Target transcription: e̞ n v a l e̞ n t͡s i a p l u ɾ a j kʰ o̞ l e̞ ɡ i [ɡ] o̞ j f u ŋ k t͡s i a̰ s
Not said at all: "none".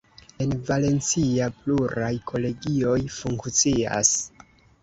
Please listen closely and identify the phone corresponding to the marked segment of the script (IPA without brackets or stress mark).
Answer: none